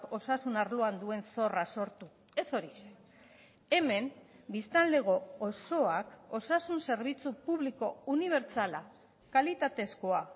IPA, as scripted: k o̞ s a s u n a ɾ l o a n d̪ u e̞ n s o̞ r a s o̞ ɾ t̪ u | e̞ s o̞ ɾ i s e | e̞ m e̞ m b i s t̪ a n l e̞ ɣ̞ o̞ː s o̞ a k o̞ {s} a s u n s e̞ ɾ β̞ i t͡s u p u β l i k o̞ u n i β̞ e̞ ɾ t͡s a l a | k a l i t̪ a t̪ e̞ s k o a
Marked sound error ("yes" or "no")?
no